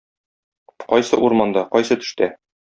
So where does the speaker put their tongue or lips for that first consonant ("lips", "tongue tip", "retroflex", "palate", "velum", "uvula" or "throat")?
uvula